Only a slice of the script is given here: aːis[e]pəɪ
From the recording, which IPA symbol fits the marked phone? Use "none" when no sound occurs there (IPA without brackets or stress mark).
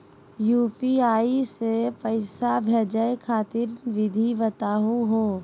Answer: e